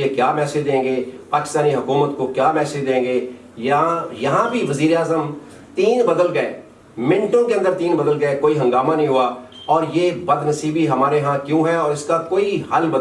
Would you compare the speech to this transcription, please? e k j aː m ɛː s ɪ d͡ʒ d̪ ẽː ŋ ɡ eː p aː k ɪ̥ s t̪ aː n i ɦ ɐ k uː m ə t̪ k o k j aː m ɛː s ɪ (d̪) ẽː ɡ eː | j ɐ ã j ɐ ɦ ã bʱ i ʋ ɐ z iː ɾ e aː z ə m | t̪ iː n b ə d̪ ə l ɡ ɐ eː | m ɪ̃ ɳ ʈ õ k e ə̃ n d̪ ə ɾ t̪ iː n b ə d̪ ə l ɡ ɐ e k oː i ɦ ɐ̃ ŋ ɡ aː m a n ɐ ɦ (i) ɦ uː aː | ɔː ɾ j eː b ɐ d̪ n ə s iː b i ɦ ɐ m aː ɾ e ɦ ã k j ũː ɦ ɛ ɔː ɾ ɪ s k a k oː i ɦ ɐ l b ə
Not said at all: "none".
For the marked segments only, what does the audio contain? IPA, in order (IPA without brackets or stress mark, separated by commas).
d̪, ĩ